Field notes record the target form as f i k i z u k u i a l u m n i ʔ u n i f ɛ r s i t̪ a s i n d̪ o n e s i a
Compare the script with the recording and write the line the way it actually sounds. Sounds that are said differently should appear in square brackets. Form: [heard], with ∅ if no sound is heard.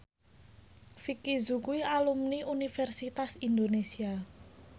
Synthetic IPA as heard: f i k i z u k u i a l u m n i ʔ u n i f ɛ r s i t̪ a s i n d̪ o n e s i a